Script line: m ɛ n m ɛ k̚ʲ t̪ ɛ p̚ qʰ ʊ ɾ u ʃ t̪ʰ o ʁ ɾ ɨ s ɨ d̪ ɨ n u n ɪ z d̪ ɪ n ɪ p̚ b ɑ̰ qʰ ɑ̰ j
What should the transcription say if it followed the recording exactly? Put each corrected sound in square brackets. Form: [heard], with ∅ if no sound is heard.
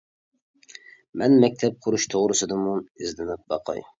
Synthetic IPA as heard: m ɛ n m ɛ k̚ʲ [t̪ʰ] ɛ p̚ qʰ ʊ ɾ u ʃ t̪ʰ o ʁ ɾ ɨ s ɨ d̪ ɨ [m] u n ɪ z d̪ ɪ n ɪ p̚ b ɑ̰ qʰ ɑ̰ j